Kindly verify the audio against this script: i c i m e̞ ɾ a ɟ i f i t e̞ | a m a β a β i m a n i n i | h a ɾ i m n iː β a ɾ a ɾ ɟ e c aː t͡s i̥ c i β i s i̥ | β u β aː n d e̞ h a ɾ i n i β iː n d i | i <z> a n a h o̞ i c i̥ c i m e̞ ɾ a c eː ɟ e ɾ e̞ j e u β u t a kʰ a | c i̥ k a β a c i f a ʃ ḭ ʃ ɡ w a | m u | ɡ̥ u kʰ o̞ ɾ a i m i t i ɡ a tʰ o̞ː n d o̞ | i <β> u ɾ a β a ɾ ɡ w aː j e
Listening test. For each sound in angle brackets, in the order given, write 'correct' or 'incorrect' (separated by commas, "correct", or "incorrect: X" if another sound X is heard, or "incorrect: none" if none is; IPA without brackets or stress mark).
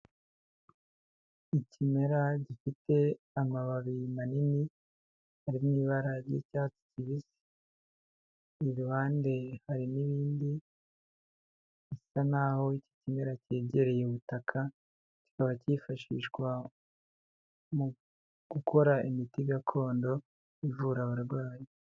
incorrect: s, incorrect: v